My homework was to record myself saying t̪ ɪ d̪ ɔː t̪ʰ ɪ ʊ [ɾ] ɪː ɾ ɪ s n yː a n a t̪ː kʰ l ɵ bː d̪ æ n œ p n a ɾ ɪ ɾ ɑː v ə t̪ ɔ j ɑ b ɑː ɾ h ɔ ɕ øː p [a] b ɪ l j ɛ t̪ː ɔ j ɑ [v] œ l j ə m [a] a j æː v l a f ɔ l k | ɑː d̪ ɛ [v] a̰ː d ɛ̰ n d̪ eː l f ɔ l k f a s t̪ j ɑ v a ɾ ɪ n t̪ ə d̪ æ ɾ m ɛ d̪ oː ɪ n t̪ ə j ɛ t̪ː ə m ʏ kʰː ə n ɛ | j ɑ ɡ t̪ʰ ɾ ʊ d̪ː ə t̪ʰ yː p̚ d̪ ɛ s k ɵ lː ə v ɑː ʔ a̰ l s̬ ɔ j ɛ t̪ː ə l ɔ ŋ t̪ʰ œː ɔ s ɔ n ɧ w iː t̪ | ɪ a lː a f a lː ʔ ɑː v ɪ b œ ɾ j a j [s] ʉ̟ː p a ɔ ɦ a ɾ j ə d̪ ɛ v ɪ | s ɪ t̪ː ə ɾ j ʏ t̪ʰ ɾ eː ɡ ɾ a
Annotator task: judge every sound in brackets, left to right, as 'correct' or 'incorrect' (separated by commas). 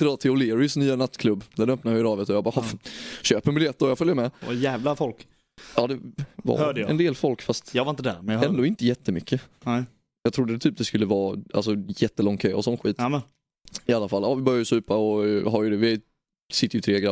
incorrect, incorrect, incorrect, incorrect, correct, correct